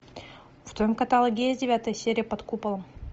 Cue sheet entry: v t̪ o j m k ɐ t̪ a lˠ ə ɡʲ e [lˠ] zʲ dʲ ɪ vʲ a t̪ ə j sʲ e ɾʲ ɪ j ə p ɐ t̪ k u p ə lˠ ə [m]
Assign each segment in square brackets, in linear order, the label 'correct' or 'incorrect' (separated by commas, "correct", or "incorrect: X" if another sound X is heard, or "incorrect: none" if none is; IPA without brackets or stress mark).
incorrect: none, correct